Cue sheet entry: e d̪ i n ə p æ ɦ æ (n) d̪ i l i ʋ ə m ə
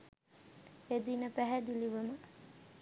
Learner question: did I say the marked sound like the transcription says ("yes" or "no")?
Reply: no